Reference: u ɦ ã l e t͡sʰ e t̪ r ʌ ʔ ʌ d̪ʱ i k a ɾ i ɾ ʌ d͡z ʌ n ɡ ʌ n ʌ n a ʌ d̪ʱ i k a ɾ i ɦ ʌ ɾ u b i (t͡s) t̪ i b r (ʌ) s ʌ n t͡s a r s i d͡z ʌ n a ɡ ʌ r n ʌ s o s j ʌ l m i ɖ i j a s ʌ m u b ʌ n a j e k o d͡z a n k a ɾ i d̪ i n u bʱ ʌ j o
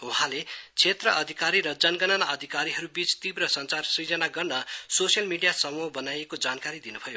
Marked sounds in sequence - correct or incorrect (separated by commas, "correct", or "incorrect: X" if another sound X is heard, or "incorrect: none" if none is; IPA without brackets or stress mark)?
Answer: correct, correct